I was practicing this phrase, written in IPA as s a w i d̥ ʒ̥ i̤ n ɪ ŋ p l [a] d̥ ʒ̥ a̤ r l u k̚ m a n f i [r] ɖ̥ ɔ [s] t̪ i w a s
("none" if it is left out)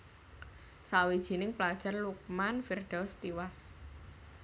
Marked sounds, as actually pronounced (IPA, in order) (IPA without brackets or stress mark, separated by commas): a, r, s